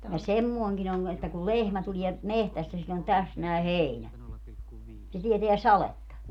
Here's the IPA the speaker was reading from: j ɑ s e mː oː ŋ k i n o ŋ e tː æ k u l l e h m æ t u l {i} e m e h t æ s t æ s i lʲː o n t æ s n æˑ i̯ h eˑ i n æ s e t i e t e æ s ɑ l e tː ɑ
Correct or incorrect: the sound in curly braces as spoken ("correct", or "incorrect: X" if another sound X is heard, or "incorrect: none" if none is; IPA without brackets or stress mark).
correct